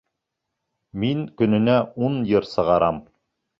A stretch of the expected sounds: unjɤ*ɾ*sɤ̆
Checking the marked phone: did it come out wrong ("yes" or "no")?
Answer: no